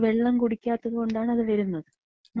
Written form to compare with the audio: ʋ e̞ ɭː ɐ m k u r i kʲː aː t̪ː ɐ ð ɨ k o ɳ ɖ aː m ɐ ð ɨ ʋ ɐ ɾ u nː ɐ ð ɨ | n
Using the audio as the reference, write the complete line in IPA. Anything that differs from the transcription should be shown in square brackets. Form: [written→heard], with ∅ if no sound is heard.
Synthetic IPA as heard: ʋ e̞ ɭː ɐ m k u [r→ɽ] i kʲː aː t̪ː ɐ ð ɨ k o ɳ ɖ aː [m→ɳ] ɐ ð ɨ ʋ ɐ ɾ u nː ɐ ð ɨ | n